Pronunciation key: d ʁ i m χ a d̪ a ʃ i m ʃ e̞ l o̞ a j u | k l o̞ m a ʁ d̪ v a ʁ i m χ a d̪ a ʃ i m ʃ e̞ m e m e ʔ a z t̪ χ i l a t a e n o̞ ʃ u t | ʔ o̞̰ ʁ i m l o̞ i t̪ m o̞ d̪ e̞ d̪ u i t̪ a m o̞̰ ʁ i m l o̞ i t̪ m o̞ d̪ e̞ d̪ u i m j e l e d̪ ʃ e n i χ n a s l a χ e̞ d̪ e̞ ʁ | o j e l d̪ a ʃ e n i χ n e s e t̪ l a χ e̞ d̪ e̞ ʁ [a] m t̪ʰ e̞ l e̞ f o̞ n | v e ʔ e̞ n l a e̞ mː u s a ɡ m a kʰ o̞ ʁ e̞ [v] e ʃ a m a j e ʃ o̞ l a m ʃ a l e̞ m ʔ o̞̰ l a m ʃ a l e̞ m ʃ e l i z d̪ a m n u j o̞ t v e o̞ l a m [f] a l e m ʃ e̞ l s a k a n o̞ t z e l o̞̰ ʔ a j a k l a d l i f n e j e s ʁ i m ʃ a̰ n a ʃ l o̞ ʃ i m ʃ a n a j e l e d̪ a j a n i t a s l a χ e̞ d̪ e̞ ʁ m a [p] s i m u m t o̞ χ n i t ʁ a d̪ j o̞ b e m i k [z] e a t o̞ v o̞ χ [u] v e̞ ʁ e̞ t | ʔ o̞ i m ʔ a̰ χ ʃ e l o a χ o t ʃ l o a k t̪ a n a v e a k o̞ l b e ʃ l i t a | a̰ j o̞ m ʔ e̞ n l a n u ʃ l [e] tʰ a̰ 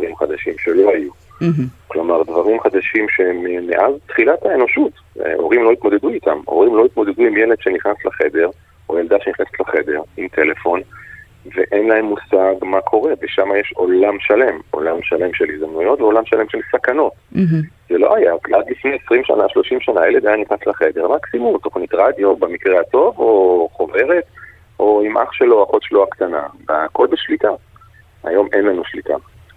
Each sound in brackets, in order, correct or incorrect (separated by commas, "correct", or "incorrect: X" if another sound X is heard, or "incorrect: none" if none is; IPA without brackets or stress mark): incorrect: i, correct, incorrect: ʃ, incorrect: k, incorrect: ʁ, incorrect: o, incorrect: i